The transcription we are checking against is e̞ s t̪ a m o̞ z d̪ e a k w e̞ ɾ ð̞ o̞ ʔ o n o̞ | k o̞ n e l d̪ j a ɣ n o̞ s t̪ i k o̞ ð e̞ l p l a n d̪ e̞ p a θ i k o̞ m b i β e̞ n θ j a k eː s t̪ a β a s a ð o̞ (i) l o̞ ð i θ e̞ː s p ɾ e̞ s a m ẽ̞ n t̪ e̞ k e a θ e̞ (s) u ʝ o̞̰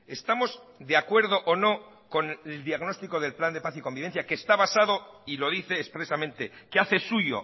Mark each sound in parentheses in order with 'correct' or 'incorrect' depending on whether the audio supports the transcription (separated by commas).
correct, correct